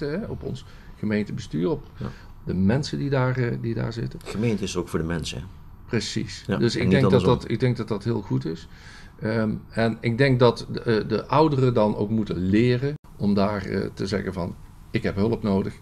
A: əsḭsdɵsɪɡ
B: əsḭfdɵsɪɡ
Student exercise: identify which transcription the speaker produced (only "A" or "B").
A